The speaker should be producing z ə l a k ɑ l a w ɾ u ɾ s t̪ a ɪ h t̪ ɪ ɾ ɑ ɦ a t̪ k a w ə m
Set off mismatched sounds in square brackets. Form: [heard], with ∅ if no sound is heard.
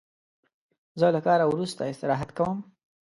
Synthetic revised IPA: z ə l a k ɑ [ɾ] a w ɾ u [∅] s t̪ a ɪ [s] t̪ ɪ ɾ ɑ ɦ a t̪ k a w ə m